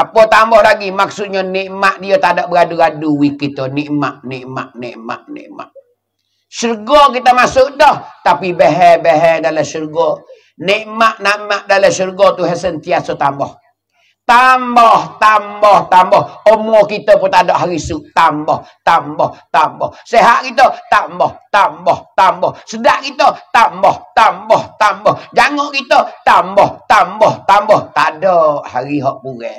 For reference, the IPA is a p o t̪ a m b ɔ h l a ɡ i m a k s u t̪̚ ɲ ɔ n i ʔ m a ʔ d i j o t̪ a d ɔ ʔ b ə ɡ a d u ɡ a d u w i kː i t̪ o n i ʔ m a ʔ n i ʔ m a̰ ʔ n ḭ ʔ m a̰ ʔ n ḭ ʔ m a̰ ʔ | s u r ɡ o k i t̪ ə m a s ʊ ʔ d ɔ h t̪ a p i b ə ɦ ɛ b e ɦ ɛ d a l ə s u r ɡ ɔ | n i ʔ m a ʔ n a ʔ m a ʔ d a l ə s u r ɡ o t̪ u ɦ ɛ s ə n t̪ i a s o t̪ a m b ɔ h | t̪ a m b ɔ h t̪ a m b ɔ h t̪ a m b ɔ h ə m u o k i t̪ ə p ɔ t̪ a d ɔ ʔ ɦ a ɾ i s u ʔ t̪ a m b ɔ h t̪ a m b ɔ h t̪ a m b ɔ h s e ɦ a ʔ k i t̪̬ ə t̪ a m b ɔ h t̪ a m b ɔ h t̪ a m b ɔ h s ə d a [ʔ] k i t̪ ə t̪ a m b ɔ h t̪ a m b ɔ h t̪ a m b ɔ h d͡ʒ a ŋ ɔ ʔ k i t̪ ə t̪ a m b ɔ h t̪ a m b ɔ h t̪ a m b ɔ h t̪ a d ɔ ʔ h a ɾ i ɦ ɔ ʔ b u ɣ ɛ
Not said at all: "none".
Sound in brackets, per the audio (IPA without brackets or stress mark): ʔ